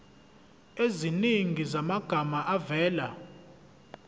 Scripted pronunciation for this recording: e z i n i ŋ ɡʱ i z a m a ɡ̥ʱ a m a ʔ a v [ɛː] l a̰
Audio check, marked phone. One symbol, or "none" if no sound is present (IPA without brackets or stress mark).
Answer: ɛː